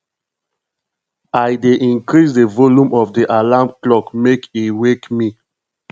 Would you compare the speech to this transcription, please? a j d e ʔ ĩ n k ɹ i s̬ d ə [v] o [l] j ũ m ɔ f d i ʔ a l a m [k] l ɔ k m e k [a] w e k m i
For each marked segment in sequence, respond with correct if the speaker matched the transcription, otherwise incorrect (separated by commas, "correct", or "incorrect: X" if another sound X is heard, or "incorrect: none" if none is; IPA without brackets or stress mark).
correct, correct, correct, incorrect: i